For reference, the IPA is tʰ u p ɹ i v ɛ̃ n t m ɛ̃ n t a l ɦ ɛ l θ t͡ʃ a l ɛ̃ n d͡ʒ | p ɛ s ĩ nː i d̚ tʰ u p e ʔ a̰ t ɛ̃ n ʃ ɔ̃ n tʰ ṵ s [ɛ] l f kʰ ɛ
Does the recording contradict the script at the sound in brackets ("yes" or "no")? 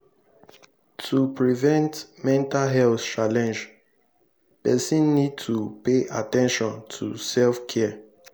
no